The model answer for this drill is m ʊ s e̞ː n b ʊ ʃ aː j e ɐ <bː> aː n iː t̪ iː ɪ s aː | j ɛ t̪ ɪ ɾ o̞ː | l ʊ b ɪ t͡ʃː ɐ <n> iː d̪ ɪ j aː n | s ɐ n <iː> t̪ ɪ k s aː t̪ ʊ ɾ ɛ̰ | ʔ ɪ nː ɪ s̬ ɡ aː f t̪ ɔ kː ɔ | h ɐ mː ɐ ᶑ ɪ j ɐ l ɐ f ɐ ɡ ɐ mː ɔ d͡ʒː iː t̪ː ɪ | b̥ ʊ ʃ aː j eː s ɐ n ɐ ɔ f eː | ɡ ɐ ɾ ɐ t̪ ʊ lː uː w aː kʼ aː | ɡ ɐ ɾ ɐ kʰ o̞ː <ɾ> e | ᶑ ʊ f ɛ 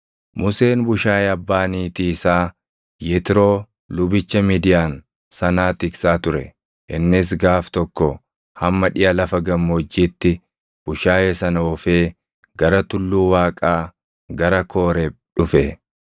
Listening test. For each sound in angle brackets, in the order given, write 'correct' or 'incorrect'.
correct, incorrect: m, incorrect: aː, correct

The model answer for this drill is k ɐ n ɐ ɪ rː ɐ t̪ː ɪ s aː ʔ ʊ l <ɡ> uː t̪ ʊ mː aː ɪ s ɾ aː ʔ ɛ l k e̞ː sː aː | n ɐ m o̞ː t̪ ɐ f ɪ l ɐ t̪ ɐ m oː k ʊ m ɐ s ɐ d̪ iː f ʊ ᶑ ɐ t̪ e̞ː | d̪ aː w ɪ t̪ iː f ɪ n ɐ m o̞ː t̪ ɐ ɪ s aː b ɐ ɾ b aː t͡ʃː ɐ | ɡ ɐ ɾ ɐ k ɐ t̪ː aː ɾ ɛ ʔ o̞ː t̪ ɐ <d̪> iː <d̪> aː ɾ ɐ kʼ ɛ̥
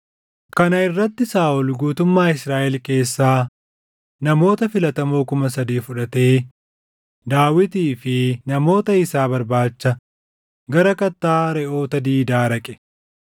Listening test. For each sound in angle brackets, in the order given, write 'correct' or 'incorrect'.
correct, correct, correct

